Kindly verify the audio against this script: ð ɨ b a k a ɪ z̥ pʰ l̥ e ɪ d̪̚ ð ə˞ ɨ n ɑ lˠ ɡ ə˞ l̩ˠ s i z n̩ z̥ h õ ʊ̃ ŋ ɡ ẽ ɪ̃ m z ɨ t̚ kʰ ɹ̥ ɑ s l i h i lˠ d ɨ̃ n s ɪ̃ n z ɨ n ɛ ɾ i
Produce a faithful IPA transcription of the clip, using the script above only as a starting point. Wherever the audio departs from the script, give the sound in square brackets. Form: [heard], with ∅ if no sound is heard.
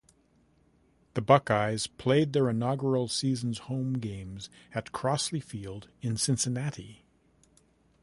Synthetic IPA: ð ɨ b [ʌ] k a ɪ z̥ pʰ l̥ e ɪ d̪̚ ð ə˞ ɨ n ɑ [∅] ɡ ə˞ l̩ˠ s i z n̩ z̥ h õ ʊ̃ [m] ɡ ẽ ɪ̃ m z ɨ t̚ kʰ ɹ̥ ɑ s l i [f] i lˠ d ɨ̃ n s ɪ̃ n [s] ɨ n [æ] ɾ i